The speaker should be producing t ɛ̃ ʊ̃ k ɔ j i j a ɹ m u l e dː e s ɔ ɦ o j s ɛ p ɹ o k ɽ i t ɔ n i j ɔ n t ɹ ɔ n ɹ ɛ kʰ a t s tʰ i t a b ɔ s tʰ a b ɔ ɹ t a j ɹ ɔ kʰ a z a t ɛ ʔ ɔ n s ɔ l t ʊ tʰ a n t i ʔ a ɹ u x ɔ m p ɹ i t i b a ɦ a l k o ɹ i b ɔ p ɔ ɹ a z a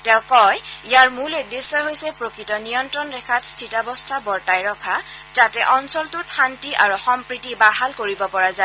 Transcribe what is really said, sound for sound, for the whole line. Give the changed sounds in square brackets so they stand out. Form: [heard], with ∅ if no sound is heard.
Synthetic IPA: t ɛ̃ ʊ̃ k ɔ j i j a ɹ m u l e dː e s ɔ ɦ o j s ɛ p ɹ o k [ɹ] i t ɔ n i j ɔ n t ɹ ɔ n ɹ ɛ kʰ a t s tʰ i t a b ɔ s tʰ a b ɔ ɹ t a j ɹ ɔ kʰ a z a t ɛ ʔ ɔ n s ɔ l t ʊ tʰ a n t i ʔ a ɹ u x ɔ m p ɹ i t i b a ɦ a l k o ɹ i b ɔ p ɔ ɹ a z a